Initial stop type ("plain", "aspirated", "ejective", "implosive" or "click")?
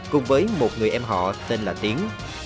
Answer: plain